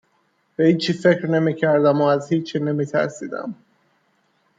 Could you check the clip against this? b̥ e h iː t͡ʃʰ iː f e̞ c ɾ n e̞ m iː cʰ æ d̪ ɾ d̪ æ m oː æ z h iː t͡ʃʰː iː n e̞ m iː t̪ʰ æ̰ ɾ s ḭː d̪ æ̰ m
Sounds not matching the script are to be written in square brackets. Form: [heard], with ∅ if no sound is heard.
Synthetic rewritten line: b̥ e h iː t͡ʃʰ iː f e̞ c ɾ n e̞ m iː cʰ æ [∅] ɾ d̪ æ m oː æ z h iː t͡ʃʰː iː n e̞ m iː t̪ʰ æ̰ ɾ s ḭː d̪ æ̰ m

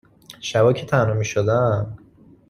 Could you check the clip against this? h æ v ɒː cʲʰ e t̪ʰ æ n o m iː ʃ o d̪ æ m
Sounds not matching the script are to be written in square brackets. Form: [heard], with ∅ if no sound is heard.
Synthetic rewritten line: [ʃ] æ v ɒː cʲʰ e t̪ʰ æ n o m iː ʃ o d̪ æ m

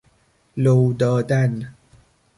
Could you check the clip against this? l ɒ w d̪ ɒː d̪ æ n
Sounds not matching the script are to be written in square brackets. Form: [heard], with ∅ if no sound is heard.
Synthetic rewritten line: l [o] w d̪ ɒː d̪ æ n

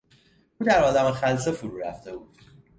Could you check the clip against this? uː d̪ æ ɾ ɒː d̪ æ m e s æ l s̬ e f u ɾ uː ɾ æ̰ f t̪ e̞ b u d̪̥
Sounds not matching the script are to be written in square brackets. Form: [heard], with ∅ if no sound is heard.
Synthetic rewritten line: uː d̪ æ ɾ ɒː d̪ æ m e [x] æ l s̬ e f u ɾ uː ɾ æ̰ f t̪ e̞ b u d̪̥

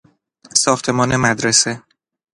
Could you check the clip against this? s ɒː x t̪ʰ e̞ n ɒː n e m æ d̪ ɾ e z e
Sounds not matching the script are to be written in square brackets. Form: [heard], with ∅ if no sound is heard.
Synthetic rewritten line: s ɒː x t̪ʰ e̞ [m] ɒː n e m æ d̪ ɾ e [s] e

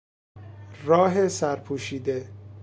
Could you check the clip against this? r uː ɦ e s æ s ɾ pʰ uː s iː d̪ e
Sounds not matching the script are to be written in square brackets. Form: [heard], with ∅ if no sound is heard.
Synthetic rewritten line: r [ɒː] ɦ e s æ [∅] ɾ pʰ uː [ʃ] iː d̪ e

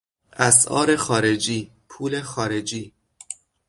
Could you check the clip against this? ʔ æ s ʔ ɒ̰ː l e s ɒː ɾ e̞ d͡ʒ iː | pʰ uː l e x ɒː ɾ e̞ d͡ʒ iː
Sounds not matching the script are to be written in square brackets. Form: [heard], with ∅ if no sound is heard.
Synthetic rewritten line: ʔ æ s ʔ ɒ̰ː [ɾ] e [x] ɒː ɾ e̞ d͡ʒ iː | pʰ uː l e x ɒː ɾ e̞ d͡ʒ iː

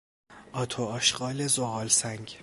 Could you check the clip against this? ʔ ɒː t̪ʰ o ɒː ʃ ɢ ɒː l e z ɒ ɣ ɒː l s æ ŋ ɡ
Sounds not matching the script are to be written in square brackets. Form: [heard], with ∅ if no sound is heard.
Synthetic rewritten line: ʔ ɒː t̪ʰ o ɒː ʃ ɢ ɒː l e z [o] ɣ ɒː l s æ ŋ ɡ

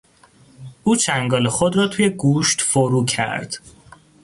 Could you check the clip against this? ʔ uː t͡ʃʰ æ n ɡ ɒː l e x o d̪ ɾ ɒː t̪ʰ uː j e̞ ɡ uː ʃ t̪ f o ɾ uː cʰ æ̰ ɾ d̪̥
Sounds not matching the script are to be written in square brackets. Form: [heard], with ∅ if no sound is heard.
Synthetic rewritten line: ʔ uː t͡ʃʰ æ [ŋ] ɡ ɒː l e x o d̪ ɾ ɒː t̪ʰ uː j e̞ ɡ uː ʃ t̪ f o ɾ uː cʰ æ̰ ɾ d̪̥

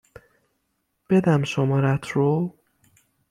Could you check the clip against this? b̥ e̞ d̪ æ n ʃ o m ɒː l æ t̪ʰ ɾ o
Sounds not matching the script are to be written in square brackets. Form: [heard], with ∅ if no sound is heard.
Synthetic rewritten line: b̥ e̞ d̪ æ [m] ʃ o m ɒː [ɾ] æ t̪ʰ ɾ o

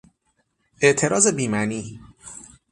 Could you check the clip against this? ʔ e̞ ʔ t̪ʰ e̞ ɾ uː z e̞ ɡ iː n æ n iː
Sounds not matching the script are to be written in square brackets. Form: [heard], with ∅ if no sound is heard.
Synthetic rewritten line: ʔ e̞ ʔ t̪ʰ e̞ ɾ [ɒː] z e̞ [b] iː [m] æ n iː

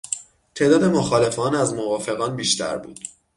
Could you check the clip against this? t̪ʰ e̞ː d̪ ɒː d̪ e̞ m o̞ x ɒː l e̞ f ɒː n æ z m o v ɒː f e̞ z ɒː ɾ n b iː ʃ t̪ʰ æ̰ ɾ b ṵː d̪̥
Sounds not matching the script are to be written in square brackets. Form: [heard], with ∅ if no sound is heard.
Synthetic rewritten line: t̪ʰ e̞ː d̪ ɒː d̪ e̞ m o̞ x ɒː l e̞ f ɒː n æ z m o v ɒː f e̞ [ɣ] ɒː [∅] n b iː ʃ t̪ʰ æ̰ ɾ b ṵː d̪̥

